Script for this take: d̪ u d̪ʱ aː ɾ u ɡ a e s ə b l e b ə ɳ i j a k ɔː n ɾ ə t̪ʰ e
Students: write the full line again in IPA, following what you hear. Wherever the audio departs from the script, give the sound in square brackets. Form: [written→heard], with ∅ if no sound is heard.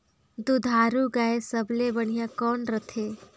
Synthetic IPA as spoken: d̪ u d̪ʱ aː ɾ u ɡ a e s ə b l e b ə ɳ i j a k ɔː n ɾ ə t̪ʰ e